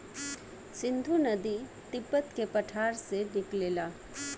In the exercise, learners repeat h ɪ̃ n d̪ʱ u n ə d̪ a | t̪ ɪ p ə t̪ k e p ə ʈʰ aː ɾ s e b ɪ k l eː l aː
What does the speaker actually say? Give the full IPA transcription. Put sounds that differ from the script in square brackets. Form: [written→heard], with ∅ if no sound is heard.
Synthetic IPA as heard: [h→s] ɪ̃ n d̪ʱ u n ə d̪ [a→i] | t̪ ɪ p ə t̪ k e p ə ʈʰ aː ɾ s e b ɪ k l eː l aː

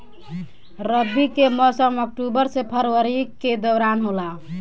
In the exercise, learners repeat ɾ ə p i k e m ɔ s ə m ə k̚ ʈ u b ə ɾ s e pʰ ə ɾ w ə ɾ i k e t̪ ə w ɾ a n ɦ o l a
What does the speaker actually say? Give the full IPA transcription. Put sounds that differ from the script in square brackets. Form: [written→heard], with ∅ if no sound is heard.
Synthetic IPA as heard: ɾ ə [p→b] i k e m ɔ s ə m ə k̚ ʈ u b ə ɾ s e pʰ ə ɾ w ə ɾ i k e [t̪→d̪] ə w ɾ a n ɦ o l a

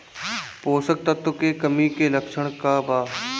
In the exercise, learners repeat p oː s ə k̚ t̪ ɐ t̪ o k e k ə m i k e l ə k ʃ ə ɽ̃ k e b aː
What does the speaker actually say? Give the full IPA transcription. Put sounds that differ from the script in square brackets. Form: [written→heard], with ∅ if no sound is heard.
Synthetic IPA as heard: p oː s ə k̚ t̪ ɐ t̪ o k e k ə m i k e l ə k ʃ ə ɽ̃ k [e→a] b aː

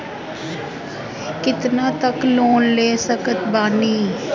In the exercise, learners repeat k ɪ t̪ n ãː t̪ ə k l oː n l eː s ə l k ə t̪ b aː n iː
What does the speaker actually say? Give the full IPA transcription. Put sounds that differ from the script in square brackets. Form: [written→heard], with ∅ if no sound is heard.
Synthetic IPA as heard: k ɪ t̪ n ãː t̪ ə k l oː n l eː s ə [l→∅] k ə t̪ b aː n iː

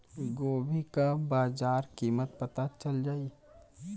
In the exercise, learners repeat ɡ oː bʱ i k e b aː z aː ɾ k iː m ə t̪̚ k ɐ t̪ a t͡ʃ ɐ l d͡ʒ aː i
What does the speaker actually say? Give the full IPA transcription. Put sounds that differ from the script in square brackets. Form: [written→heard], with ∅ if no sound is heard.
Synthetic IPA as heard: ɡ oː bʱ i k [e→a] b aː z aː ɾ k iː m ə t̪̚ [k→p] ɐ t̪ a t͡ʃ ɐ l d͡ʒ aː i

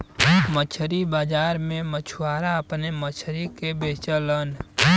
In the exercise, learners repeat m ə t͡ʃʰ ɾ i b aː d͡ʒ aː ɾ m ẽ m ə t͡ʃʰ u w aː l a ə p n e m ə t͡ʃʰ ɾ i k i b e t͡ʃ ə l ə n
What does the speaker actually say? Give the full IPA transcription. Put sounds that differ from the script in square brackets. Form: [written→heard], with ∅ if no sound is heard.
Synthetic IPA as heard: m ə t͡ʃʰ ɾ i b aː d͡ʒ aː ɾ m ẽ m ə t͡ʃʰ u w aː [l→ɾ] a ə p n e m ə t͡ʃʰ ɾ i k [i→e] b e t͡ʃ ə l ə n

